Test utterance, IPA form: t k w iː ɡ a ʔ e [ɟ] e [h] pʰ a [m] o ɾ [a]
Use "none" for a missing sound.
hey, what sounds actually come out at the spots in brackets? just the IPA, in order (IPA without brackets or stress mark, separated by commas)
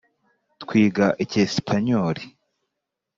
c, s, ɲ, i